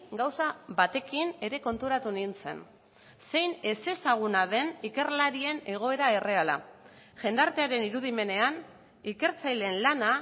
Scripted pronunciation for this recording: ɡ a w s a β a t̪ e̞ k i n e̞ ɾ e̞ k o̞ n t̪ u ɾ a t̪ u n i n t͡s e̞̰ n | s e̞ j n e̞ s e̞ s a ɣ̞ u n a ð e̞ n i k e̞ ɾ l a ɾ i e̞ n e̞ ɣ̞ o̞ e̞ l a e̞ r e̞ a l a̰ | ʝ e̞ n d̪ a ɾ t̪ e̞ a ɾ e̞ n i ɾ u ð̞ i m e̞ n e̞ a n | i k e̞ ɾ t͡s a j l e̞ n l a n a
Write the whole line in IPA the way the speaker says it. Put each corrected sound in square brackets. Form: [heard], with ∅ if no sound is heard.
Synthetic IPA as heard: ɡ a w s a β a t̪ e̞ k i n e̞ ɾ e̞ k o̞ n t̪ u ɾ a t̪ u n i n t͡s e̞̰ n | s e̞ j n e̞ s e̞ s a ɣ̞ u n a ð e̞ n i k e̞ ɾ l a ɾ i e̞ n e̞ ɣ̞ o̞ e̞ [ɾ] a e̞ r e̞ a l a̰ | ʝ e̞ n d̪ a ɾ t̪ e̞ a ɾ e̞ n i ɾ u ð̞ i m e̞ n e̞ a n | i k e̞ ɾ t͡s a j l e̞ n l a n a

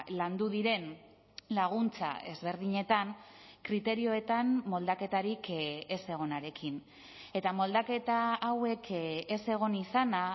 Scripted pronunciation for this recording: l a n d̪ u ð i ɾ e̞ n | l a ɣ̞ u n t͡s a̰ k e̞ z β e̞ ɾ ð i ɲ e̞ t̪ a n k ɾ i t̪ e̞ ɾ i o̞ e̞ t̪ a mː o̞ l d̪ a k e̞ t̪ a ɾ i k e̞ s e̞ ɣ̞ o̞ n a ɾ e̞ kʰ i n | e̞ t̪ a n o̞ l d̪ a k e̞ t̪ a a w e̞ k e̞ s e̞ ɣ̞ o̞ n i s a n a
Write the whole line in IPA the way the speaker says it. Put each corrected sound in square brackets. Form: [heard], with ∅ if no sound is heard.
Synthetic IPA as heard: l a n d̪ u ð i ɾ e̞ n | l a ɣ̞ u n t͡s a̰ [∅] e̞ z β e̞ ɾ ð i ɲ e̞ t̪ a n k ɾ i t̪ e̞ ɾ i o̞ e̞ t̪ a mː o̞ l d̪ a k e̞ t̪ a ɾ i k e̞ s e̞ ɣ̞ o̞ n a ɾ e̞ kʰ i n | e̞ t̪ a [m] o̞ l d̪ a k e̞ t̪ a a w e̞ k e̞ s e̞ ɣ̞ o̞ n i s a n a

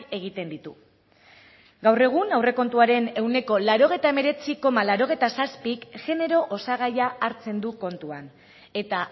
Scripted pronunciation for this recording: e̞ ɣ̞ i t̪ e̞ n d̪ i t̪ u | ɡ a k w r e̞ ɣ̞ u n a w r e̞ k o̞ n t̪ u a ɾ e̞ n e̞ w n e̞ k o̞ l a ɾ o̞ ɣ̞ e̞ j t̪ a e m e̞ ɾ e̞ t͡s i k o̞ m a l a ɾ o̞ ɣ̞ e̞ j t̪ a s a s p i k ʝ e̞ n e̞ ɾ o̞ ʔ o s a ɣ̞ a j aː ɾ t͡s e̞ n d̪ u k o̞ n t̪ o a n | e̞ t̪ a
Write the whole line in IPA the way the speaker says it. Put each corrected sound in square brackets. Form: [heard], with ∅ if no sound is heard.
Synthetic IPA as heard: e̞ ɣ̞ i t̪ e̞ n d̪ i t̪ u | ɡ a [∅] w r e̞ ɣ̞ u n a w r e̞ k o̞ n t̪ u a ɾ e̞ n e̞ w n e̞ k o̞ l a ɾ o̞ ɣ̞ e̞ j t̪ a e m e̞ ɾ e̞ t͡s i k o̞ m a l a ɾ o̞ ɣ̞ e̞ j t̪ a s a s p i k ʝ e̞ n e̞ ɾ o̞ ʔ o s a ɣ̞ a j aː ɾ t͡s e̞ n d̪ u k o̞ n t̪ [u] a n | e̞ t̪ a

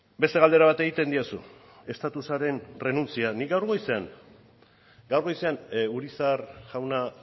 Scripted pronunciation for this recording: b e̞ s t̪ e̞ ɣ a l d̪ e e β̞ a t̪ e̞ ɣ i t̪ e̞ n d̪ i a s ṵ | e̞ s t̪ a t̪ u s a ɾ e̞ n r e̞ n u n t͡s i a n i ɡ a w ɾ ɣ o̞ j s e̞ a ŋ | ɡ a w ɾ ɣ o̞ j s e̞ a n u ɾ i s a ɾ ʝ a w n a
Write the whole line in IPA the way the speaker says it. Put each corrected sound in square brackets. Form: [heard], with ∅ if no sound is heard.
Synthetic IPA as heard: b e̞ s t̪ e̞ ɣ a l d̪ e [a] β̞ a t̪ e̞ ɣ i t̪ e̞ n d̪ i a s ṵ | e̞ s t̪ a t̪ u s a ɾ e̞ n r e̞ n u n t͡s i a n i ɡ a w ɾ ɣ o̞ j s e̞ a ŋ | ɡ a w ɾ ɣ o̞ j s e̞ a n u ɾ i s a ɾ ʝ a w n a

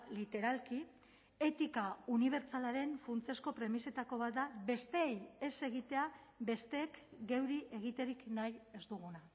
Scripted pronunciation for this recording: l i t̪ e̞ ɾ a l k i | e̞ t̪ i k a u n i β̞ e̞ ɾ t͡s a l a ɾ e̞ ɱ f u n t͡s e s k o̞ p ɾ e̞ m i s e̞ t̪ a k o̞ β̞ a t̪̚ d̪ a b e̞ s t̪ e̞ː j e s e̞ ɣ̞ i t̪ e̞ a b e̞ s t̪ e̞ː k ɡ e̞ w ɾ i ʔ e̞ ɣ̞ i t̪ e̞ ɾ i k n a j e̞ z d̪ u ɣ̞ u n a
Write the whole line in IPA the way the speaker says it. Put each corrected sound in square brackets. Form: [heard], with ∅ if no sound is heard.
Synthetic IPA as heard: l i t̪ e̞ ɾ a l k i | e̞ t̪ i k a u n i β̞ e̞ ɾ t͡s a l a ɾ e̞ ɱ f u n t͡s e s k o̞ p ɾ e̞ m i s e̞ t̪ a k o̞ β̞ a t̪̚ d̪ a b e̞ s t̪ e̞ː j e s e̞ ɣ̞ i t̪ e̞ a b e̞ s t̪ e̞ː k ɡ e̞ w ɾ i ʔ e̞ ɣ̞ i t̪ e̞ ɾ i k n a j e̞ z d̪ u ɣ̞ u n a

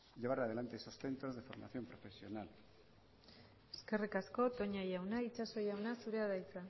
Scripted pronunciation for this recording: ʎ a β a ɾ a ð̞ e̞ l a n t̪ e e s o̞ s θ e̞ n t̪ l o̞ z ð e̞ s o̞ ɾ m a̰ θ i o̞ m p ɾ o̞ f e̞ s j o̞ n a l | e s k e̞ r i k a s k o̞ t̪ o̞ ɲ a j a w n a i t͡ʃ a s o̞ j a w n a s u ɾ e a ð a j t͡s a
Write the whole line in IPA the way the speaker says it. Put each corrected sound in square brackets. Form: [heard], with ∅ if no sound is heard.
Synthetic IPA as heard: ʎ [e] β a ɾ a ð̞ e̞ l a n t̪ e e s o̞ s θ e̞ n t̪ [ɾ] o̞ z ð e̞ [f] o̞ ɾ m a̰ θ [j] o̞ m p ɾ o̞ f e̞ s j o̞ n a l | e s k e̞ r i k a s k o̞ t̪ o̞ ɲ a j a w n a i t͡ʃ a s o̞ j a w n a s u ɾ e a ð a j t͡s a

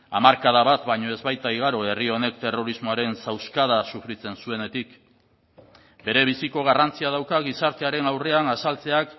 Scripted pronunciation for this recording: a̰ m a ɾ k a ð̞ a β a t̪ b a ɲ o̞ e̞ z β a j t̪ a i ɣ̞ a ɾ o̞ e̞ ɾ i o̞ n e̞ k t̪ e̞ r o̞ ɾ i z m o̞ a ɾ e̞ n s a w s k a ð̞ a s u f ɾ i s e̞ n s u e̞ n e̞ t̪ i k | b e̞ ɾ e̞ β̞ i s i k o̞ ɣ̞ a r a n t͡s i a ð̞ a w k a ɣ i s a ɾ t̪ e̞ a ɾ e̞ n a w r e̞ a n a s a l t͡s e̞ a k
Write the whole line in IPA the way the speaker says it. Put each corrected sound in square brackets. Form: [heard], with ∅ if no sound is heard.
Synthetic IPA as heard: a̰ m a ɾ k a ð̞ a β a t̪ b a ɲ o̞ e̞ z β a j t̪ a i ɣ̞ a ɾ o̞ e̞ [r] i o̞ n e̞ k t̪ e̞ r o̞ ɾ i z m o̞ a ɾ e̞ n s a w s k a ð̞ a s u f ɾ i [t͡s] e̞ n s u e̞ n e̞ t̪ i k | b e̞ ɾ e̞ β̞ i s i k o̞ ɣ̞ a r a n t͡s i a ð̞ a w k a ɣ i s a ɾ t̪ e̞ a ɾ e̞ n a w r e̞ a n a s a l t͡s e̞ a k

